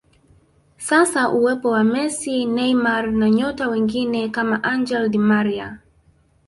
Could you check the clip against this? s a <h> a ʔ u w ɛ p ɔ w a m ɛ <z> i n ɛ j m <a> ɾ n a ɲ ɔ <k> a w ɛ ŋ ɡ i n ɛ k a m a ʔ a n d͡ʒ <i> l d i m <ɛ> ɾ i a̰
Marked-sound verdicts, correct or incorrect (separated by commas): incorrect, incorrect, correct, incorrect, incorrect, incorrect